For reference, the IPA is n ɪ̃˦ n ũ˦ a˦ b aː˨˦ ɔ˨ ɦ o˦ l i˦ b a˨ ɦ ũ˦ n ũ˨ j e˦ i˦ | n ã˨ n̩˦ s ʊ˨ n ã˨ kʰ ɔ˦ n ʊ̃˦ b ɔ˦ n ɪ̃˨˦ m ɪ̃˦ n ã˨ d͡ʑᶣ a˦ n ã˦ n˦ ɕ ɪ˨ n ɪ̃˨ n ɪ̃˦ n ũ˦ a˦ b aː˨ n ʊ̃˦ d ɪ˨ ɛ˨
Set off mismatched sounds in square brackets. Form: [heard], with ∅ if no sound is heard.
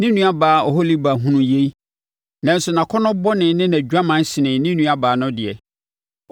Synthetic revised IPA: n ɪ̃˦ n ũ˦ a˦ b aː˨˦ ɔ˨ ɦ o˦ l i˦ b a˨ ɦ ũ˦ n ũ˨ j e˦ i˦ | n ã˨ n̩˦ s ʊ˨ n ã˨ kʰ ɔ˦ n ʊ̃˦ b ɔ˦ n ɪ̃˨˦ [n] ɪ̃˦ n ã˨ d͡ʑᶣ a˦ [m] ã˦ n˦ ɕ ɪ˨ n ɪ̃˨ n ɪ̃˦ n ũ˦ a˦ b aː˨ n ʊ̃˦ d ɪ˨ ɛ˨

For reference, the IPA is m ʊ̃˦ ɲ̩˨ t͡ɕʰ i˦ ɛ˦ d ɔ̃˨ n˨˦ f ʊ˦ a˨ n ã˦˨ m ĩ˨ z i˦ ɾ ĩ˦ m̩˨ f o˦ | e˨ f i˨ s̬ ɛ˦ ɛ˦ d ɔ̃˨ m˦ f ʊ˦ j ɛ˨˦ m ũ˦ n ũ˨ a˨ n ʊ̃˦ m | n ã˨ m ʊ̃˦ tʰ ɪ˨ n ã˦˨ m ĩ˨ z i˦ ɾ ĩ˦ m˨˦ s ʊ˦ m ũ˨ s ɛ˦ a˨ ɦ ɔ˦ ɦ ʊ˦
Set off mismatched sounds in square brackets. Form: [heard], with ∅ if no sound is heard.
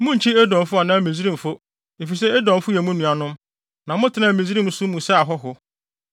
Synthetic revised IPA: m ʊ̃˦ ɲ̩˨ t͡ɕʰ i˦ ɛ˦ d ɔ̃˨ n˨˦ f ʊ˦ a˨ n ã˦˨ m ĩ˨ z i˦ ɾ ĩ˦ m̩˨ f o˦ | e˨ f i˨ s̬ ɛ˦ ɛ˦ d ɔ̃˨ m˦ f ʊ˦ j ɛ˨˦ m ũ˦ n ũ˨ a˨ n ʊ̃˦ m | n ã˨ m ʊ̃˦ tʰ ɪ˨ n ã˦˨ m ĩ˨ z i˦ ɾ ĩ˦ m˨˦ s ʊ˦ m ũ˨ s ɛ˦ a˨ ɦ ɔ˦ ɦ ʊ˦

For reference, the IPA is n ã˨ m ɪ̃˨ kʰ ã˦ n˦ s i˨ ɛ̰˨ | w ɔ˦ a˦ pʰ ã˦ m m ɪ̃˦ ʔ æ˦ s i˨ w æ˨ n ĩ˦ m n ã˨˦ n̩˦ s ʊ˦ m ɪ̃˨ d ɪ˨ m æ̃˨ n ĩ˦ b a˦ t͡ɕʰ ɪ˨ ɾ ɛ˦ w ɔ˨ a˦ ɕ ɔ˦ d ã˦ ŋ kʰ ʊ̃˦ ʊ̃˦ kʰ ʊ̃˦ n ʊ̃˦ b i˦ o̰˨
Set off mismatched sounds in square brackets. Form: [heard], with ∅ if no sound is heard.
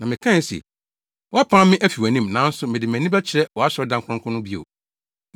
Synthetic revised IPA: n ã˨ m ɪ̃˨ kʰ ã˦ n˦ s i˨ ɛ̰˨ | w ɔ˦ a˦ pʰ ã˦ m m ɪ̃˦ ʔ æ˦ [f] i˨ w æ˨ n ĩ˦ m n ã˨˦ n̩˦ s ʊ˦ m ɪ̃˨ d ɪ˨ m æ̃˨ n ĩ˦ b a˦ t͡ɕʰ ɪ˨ ɾ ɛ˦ w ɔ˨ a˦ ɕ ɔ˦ d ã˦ ŋ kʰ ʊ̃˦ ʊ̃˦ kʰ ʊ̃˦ n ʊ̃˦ b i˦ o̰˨

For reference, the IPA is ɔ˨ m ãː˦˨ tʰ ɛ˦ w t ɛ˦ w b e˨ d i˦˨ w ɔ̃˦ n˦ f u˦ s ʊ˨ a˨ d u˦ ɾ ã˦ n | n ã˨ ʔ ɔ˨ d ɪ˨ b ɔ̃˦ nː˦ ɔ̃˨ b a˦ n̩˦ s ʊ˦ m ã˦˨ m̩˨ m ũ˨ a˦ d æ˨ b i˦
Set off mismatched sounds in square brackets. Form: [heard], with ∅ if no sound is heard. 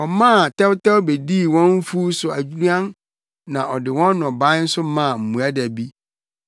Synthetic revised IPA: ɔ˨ m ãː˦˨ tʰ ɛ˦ w t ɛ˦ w b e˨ d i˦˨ w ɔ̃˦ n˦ f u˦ s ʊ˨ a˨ [d͡ʑ] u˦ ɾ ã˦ n | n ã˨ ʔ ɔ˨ d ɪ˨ [w] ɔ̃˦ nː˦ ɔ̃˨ b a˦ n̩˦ s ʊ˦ m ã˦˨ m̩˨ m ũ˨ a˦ d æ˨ b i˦

